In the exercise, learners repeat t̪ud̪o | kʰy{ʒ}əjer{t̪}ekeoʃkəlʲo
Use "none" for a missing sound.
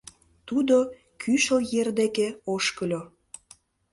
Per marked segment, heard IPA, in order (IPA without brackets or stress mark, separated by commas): ʃ, d̪